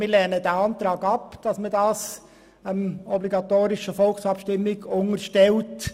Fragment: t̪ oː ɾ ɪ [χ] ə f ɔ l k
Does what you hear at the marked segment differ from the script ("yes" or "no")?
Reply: yes